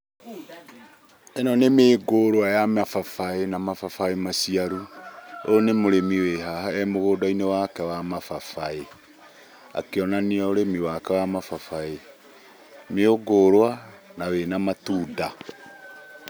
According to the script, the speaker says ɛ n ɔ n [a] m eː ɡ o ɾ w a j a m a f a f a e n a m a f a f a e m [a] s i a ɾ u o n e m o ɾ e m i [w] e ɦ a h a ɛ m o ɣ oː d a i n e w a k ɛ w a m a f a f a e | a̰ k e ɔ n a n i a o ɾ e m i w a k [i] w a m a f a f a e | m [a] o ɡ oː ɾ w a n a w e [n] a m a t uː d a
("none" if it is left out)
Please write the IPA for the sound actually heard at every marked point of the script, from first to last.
e, a, w, ɛ, e, n

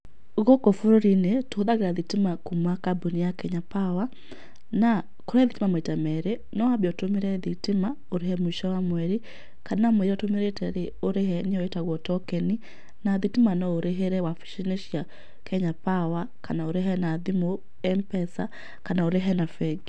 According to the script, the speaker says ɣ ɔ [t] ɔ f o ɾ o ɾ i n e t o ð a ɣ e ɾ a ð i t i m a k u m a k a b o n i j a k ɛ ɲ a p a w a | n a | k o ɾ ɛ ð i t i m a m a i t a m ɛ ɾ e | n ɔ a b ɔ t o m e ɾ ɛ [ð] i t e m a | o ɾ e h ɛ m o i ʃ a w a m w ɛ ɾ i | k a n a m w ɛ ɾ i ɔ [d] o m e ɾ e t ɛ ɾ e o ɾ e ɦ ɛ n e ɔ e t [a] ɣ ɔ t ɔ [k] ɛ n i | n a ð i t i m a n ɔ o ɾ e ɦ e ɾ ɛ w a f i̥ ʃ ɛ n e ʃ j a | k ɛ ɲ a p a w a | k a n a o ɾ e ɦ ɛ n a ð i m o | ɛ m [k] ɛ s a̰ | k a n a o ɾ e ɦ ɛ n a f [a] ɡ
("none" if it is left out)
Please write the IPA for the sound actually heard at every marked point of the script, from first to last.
k, ð, t, a, k, p, ɛ

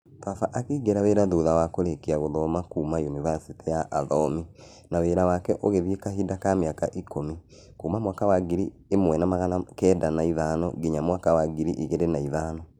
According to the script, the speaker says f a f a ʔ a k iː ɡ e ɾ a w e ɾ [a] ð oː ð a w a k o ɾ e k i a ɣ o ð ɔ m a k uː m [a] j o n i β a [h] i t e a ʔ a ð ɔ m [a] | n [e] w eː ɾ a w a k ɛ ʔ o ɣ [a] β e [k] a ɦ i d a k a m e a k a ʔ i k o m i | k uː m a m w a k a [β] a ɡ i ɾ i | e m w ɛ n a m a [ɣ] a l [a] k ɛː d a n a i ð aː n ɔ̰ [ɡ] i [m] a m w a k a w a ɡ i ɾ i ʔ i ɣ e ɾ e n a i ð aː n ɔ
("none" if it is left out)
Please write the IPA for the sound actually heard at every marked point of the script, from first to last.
a, a, s, i, a, e, k, w, ɣ, a, ɡ, ɲ

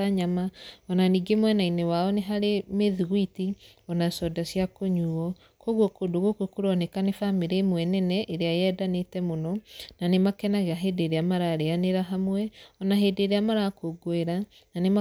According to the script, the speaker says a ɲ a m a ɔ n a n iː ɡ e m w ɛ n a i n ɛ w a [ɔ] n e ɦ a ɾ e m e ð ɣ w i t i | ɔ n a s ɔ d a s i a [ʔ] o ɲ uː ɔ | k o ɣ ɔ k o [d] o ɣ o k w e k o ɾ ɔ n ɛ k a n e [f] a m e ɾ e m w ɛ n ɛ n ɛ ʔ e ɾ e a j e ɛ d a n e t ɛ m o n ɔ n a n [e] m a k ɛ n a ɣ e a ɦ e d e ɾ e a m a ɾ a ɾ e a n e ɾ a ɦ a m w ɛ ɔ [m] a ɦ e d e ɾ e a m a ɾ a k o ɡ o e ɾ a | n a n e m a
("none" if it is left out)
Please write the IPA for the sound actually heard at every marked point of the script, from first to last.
ɔ, k, d, f, e, n

